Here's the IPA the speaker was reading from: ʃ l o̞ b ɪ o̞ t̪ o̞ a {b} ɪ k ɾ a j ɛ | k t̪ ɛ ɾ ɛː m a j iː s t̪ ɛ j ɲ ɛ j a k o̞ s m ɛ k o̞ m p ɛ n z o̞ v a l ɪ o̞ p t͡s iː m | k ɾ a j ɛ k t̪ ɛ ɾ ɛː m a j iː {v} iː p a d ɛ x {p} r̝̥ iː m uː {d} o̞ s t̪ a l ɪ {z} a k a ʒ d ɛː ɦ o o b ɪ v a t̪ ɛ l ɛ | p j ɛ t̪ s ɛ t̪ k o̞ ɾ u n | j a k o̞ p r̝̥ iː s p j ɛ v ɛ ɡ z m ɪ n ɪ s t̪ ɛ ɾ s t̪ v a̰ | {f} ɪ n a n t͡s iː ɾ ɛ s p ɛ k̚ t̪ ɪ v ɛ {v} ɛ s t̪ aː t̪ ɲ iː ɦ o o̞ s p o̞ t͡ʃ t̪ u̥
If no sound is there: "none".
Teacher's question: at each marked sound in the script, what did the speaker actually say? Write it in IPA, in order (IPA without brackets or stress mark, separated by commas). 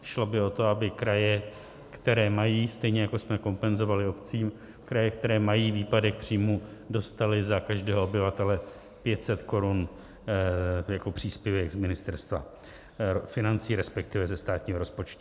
b, v, p, d, z, f, z